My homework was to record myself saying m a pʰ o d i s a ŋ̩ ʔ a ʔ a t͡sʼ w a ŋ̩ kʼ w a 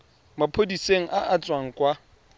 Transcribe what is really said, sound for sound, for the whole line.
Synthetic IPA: m a pʰ o d i s e ŋ̩ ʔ a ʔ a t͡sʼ w a ŋ̩ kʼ w a